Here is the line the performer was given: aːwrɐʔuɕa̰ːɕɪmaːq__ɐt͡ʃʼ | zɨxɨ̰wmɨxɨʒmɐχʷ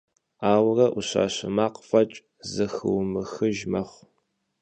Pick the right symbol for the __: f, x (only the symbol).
f